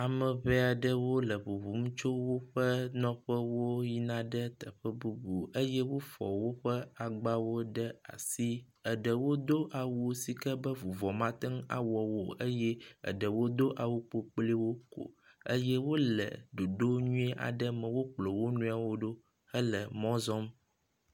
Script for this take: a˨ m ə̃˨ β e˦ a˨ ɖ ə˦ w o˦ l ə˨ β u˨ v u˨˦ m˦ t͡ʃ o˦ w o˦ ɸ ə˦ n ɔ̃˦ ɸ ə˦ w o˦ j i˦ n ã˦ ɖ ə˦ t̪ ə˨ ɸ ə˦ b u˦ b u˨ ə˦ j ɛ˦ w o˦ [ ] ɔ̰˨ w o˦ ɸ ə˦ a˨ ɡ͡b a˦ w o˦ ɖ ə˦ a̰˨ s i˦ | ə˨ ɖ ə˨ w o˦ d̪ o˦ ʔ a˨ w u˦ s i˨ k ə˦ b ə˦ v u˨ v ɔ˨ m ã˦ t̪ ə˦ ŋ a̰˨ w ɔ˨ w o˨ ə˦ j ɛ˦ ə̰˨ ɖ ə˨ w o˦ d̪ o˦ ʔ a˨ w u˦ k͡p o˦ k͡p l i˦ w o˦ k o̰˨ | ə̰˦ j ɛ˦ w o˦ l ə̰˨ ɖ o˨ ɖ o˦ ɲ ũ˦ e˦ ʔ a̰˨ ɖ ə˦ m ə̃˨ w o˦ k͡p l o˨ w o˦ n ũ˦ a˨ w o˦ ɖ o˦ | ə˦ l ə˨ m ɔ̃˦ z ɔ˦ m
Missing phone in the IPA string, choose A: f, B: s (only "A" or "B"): A